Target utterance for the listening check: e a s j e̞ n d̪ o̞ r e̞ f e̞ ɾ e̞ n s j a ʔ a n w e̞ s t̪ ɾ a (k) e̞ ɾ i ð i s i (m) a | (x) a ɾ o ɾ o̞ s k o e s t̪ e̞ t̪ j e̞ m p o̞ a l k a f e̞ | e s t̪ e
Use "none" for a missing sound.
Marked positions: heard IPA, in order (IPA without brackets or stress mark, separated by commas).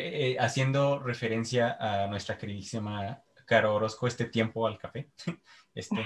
k, m, k